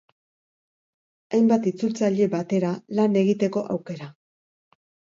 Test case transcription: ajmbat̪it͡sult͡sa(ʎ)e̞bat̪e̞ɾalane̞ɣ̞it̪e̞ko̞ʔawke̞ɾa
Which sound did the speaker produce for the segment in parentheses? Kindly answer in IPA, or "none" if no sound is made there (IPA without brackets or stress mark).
ʎ